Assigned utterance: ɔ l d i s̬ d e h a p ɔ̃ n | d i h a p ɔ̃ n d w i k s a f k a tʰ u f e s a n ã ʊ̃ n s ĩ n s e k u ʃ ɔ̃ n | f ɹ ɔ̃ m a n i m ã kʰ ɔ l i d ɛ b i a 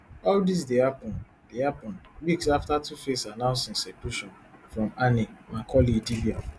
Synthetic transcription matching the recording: ɔ l d i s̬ d e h a p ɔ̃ n | d e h a p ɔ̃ n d w i k s a f t a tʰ u f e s a n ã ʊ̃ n s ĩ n s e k u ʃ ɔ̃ n | f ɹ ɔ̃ m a n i m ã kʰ ɔ l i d i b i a